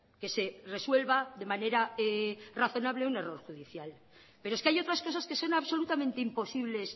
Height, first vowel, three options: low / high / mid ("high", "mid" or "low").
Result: mid